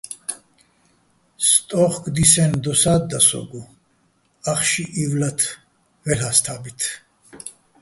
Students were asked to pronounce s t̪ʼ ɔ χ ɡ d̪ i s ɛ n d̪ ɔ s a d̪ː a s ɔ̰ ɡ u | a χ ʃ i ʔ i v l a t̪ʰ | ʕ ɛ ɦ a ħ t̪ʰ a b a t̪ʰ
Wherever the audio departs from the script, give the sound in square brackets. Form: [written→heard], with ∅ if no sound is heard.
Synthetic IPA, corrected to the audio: s t̪ʼ ɔ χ ɡ d̪ i s ɛ n d̪ ɔ s a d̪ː a s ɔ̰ ɡ u | a χ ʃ i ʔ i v l a t̪ʰ | [ʕ→v] ɛ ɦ a [ħ→s] t̪ʰ a b [a→i] t̪ʰ